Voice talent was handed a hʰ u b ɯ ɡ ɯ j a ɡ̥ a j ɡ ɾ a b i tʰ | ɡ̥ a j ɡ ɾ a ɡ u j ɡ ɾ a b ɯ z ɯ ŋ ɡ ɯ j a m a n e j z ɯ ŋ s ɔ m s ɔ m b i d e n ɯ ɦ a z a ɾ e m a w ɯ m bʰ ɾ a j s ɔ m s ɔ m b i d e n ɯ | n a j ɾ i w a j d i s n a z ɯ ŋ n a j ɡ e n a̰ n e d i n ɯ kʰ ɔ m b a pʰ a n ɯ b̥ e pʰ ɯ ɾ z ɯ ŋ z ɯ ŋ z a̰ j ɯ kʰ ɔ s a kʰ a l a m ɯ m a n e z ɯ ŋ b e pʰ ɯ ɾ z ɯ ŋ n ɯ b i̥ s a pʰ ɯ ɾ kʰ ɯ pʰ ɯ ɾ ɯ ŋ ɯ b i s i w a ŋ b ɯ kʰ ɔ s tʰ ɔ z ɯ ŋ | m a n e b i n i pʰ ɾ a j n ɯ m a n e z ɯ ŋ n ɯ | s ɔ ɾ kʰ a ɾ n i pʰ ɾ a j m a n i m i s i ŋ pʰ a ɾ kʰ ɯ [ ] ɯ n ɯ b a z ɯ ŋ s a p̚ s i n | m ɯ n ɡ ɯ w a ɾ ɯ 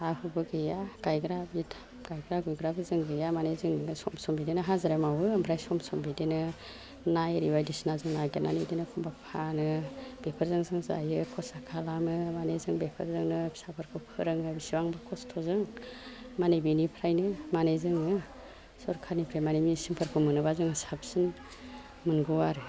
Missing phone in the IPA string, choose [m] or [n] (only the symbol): m